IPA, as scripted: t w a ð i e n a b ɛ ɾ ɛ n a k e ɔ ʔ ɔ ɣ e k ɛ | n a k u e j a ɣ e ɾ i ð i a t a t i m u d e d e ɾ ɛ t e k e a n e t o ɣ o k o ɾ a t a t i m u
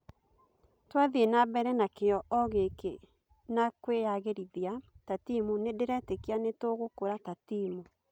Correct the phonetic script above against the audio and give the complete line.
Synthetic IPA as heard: t w a ð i e n a b ɛ ɾ ɛ n a k e ɔ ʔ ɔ ɣ e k e | n a k w e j a ɣ e ɾ i ð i a t a t i m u n e d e ɾ ɛ t e k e a n e t o ɣ o k o ɾ a t a t i m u